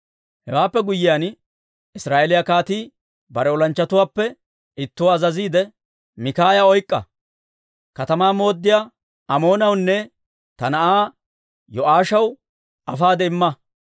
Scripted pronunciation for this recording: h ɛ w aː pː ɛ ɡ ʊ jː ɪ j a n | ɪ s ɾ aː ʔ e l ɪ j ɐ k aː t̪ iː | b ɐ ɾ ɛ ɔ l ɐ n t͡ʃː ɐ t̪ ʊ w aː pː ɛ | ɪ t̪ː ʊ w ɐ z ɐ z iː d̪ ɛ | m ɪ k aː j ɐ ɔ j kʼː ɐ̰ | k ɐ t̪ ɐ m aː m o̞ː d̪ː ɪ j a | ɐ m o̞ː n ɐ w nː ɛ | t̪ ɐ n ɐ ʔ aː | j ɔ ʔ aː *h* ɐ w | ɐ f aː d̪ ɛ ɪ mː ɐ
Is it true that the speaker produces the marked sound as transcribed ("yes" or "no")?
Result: no